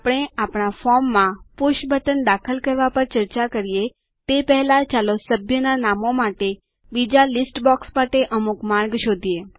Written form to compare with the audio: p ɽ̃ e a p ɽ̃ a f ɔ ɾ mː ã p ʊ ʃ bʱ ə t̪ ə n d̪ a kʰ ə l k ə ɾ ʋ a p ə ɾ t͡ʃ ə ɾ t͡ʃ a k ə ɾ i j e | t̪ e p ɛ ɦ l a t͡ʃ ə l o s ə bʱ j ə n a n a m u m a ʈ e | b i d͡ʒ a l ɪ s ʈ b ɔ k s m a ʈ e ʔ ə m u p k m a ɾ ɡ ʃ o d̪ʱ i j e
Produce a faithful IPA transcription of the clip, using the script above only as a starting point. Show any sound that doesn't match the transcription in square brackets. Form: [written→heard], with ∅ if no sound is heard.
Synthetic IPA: p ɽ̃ e a p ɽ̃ a f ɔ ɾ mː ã p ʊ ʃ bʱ ə t̪ ə n d̪ a kʰ ə l k ə ɾ ʋ a p ə ɾ t͡ʃ ə ɾ t͡ʃ a k ə ɾ i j e | t̪ e p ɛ ɦ l a t͡ʃ [ə→a] l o s ə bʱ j ə n a n a m [u→o] m a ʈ e | b i d͡ʒ a l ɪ s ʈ b ɔ k s m a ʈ e ʔ ə m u [p→∅] k m a ɾ ɡ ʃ o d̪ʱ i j e